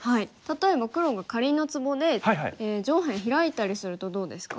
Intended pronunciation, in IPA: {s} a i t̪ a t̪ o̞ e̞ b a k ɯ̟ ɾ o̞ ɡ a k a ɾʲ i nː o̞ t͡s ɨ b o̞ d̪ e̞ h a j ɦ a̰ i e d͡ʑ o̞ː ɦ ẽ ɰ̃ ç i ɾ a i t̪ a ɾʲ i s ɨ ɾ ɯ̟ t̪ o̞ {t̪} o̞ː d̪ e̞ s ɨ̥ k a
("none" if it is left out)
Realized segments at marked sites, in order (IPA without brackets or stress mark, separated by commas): h, d̪